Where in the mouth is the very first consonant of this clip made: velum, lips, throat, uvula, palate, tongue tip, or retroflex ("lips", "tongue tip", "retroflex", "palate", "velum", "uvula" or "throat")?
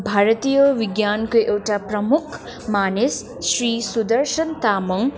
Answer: lips